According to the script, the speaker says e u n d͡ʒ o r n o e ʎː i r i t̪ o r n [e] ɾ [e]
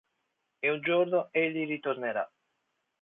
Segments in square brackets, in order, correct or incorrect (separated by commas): correct, incorrect